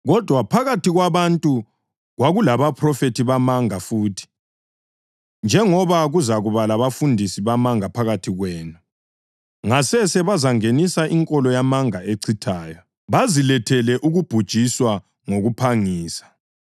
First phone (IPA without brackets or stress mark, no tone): ɣ